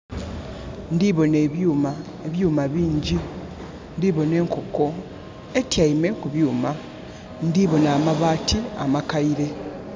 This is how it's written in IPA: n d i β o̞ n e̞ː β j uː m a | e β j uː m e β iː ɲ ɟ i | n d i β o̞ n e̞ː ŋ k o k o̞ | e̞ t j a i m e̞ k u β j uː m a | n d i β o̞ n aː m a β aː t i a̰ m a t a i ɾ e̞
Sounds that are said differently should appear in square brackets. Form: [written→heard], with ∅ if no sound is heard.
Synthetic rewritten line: n d i β o̞ n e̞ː β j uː m a | e β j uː m [e→a] β iː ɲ ɟ i | n d i β o̞ n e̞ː ŋ k o k o̞ | e̞ t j a i m e̞ k u β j uː m a | n d i β o̞ n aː m a β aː t i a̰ m a [t→k] a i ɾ e̞

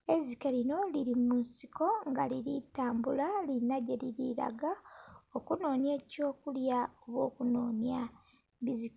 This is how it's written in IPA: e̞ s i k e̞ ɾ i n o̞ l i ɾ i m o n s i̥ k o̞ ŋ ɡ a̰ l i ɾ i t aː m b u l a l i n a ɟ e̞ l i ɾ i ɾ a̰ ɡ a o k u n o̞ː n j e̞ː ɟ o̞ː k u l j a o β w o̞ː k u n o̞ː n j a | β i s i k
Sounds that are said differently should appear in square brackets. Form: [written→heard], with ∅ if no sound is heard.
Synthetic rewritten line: e̞ [s→z] i k e̞ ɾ i n o̞ l i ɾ i m [o→u] n s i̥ k o̞ ŋ ɡ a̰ l i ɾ i t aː m b u l a l i n a ɟ e̞ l i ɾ i ɾ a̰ ɡ a o k u n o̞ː n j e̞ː [ɟ→c] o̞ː k u l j a o β w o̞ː k u n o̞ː n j a | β i [s→z] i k

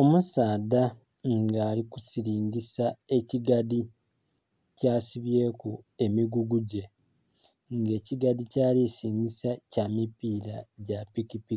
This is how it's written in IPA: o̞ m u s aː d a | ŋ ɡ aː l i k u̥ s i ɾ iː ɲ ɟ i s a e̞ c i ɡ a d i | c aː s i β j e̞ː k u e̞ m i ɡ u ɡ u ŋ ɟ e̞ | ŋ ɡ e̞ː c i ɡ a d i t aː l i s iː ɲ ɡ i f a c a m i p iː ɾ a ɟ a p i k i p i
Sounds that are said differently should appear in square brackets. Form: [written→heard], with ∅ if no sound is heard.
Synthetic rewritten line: o̞ m u s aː d a | ŋ ɡ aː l i k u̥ s i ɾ iː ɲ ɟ i s a e̞ c i ɡ a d i | c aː s i β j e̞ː k u e̞ m i ɡ u ɡ u [ŋ→∅] ɟ e̞ | ŋ ɡ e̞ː c i ɡ a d i [t→c] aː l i s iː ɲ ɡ i [f→s] a c a m i p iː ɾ a ɟ a p i k i p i

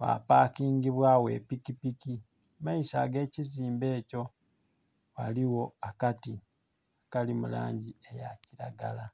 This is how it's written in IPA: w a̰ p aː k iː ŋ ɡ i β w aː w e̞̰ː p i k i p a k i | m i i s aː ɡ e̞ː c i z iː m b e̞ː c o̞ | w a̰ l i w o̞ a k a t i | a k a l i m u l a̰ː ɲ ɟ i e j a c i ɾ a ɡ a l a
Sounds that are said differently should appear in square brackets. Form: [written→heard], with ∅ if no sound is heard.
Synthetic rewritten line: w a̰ p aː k iː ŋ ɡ i β w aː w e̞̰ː p i k i p [a→i] k i | m [i→a] i s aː ɡ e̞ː c i z iː m b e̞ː c o̞ | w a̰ l i w o̞ a k a t i | a k a l i m u l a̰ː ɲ ɟ i e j a c i ɾ a ɡ a l a

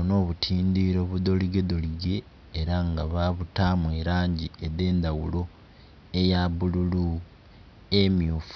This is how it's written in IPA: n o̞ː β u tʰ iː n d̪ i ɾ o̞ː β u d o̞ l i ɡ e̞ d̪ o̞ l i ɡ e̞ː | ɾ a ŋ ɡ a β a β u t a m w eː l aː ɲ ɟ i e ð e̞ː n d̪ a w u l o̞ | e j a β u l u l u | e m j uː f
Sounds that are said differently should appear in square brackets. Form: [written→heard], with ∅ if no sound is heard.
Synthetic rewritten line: n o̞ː β u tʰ iː n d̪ i ɾ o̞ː β u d o̞ l i ɡ e̞ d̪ o̞ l i ɡ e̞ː | ɾ a ŋ ɡ a β a β u t a m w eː [l→ɾ] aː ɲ ɟ i e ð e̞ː n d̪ a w u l o̞ | e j a β u l u l u | e m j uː f

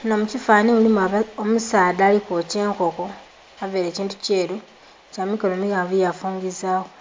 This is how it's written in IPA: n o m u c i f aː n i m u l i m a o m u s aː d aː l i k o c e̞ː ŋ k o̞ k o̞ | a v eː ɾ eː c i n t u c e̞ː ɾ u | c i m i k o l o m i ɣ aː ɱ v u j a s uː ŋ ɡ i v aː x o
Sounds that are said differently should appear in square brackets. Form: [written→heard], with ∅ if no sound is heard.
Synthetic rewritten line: n o m u c i f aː n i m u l i m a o m u s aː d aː l i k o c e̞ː ŋ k o̞ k o̞ | a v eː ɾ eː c [i→iː] n t u c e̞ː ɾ u | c [i→a] m i k o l o m i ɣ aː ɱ v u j a [s→f] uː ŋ ɡ i [v→z] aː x o

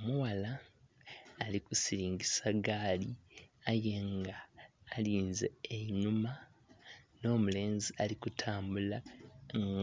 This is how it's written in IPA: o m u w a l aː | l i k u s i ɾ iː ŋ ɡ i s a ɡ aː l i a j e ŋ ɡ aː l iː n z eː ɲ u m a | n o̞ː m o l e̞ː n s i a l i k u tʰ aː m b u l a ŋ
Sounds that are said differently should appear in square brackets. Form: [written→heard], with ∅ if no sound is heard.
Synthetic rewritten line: o m u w a l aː | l i k u s i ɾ iː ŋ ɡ i s a ɡ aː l i a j e ŋ ɡ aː l iː n z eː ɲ u m a | n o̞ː m [o→u] l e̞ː n [s→z] i a l i k u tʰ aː m b u l a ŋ

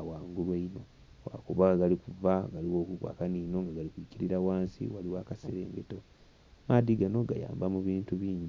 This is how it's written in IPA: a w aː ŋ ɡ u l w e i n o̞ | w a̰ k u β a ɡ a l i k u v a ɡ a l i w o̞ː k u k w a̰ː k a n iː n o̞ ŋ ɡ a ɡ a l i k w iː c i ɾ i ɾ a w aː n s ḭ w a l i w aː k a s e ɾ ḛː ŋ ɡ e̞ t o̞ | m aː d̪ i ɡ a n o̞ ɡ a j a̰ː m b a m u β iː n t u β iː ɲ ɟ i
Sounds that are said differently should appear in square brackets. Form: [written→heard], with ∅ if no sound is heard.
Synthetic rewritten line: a w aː ŋ ɡ u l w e i n o̞ | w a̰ k u β a ɡ a l i k u v a ɡ a l i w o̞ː k u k w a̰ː k a n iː n o̞ ŋ ɡ a ɡ a l i k w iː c i ɾ i ɾ a w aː n s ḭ w a l i w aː k a s e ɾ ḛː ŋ ɡ e̞ t o̞ | m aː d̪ i ɡ a n o̞ ɡ a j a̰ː m b a m u β iː n t u β iː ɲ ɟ i

